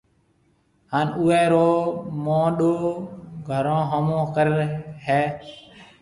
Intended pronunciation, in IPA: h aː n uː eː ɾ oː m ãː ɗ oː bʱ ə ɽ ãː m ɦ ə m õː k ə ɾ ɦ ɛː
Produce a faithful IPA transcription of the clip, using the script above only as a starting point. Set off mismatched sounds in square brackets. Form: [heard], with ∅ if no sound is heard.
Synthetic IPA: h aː n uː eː ɾ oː m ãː ɗ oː [ɡʱ] ə [ɾ] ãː [∅] ɦ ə m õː k ə ɾ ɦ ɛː